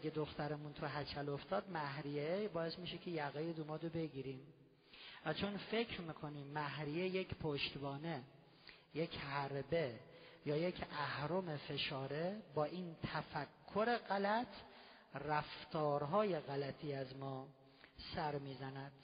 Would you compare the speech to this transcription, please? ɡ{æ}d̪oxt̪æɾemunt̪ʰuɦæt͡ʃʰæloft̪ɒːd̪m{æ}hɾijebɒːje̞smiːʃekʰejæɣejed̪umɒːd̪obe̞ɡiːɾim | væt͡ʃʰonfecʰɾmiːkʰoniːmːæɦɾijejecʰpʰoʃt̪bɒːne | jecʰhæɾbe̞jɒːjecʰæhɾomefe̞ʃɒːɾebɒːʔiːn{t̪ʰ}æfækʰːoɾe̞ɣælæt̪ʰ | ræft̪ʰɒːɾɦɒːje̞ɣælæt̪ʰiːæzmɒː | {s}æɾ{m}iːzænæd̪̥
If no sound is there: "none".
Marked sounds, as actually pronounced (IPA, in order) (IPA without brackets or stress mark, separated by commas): e, æ, t̪ʰ, s, m